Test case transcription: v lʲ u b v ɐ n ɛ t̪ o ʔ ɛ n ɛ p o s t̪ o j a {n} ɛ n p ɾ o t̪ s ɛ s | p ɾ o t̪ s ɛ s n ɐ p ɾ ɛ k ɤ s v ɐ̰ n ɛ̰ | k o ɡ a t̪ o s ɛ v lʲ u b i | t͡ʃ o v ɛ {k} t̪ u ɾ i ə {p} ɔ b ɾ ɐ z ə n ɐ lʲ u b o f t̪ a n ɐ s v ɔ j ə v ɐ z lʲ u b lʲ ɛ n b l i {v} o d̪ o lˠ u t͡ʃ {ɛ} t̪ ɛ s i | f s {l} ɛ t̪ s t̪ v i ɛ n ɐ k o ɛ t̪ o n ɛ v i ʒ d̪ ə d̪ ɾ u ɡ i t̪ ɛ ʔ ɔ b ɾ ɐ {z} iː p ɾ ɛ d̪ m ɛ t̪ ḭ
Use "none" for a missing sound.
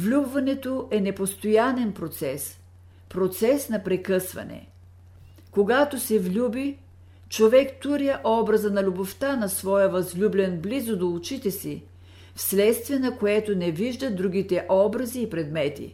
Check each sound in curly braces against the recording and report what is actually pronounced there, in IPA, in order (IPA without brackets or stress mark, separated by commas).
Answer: n, k, ʔ, z, i, l, z